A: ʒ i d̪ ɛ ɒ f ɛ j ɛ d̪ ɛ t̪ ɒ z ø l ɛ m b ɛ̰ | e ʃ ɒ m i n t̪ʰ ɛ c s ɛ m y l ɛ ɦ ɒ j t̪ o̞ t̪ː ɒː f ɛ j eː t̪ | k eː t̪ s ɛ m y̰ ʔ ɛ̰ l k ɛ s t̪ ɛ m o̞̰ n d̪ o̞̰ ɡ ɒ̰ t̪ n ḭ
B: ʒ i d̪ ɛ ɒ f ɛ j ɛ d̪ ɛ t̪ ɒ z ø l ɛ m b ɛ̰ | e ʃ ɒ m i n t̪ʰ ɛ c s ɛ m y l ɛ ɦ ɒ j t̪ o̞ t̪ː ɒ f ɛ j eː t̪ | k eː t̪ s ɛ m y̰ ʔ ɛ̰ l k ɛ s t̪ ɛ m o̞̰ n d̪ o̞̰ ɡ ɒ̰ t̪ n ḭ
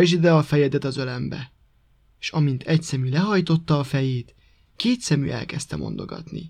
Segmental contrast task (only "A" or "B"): A